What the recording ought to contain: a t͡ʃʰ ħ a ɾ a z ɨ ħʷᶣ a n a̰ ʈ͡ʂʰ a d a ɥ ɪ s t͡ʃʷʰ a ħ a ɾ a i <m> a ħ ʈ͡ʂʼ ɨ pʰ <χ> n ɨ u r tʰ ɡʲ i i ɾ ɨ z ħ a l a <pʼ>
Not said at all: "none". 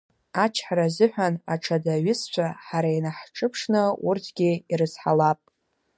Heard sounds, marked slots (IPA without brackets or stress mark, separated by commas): n, ʂ, pʼ